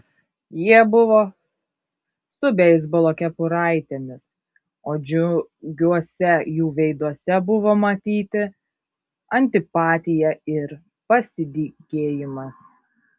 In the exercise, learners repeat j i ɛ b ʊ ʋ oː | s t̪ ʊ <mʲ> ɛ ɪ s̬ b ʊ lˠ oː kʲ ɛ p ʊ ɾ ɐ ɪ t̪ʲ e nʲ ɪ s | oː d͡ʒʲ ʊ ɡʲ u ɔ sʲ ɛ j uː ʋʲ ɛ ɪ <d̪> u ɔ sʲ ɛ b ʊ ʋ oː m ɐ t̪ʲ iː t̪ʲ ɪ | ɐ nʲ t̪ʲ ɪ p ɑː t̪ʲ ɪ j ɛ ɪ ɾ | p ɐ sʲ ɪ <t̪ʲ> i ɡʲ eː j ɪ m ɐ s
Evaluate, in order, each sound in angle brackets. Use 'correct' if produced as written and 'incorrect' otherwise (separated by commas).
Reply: incorrect, correct, incorrect